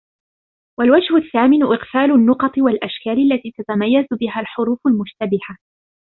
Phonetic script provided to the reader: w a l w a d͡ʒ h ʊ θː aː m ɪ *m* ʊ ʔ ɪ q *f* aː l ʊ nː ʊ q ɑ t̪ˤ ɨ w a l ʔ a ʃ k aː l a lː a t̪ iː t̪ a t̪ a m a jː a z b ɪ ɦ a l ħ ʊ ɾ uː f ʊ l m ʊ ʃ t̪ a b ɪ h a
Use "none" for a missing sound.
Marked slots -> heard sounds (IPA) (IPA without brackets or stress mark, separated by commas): n, f